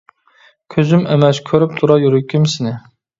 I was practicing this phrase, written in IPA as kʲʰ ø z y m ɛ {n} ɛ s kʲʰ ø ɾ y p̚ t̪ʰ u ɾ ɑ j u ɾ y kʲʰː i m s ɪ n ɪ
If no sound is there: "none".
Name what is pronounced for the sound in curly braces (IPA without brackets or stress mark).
m